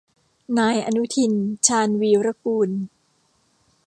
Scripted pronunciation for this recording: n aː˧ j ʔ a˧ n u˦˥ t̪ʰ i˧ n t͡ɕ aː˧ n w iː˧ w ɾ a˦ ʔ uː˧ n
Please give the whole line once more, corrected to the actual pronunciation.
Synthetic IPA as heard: n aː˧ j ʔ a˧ n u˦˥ t̪ʰ i˧ n t͡ɕʰ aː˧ n w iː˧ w ɾ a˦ k uː˧ n